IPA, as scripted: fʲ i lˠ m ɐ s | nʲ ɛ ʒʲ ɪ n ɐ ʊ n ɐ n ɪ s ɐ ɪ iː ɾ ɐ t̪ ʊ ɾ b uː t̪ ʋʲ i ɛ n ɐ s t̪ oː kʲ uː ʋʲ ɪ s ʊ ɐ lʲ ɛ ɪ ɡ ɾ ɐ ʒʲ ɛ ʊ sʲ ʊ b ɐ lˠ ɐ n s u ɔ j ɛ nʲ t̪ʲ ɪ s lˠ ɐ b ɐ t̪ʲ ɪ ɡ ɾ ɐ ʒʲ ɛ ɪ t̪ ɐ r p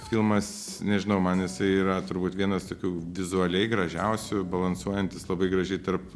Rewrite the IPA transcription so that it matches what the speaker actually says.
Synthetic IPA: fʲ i lˠ m ɐ s | nʲ ɛ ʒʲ ɪ n ɐ ʊ m ɐ n ɪ s ɐ ɪ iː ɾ ɐ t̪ ʊ ɾ b uː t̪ ʋʲ i ɛ n ɐ s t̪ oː kʲ uː ʋʲ ɪ z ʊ ɐ lʲ ɛ ɪ ɡ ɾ ɐ ʒʲ ɛ ʊ sʲ ʊ b ɐ lˠ ɐ n s u ɔ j ɛ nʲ t̪ʲ ɪ s lˠ ɐ b ɐ ɪ ɡ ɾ ɐ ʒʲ ɛ ɪ t̪ ɐ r p